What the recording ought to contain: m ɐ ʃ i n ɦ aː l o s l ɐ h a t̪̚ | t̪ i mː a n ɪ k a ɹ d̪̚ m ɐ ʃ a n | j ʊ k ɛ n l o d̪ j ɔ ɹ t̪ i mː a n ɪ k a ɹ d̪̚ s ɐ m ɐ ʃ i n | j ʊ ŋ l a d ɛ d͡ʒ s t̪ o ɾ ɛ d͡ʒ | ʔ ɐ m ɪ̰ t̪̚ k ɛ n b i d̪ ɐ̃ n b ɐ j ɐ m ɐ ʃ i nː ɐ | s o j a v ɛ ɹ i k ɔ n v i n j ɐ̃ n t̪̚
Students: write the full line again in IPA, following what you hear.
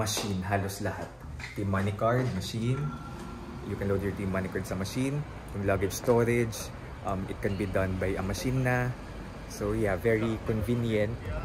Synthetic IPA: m ɐ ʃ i n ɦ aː l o s l ɐ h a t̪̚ | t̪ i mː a n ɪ k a ɹ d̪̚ m ɐ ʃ i n | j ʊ k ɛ n l o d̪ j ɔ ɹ t̪ i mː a n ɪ k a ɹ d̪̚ s ɐ m ɐ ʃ i n | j ʊ ŋ l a ɡ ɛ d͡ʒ s t̪ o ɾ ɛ d͡ʒ | ʔ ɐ m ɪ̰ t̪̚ k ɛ n b i d̪ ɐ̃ n b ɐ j ɐ m ɐ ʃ i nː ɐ | s o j a v ɛ ɹ i k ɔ n v i n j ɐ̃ n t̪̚